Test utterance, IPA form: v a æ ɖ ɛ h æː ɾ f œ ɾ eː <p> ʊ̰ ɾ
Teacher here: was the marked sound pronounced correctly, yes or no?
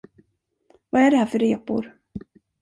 yes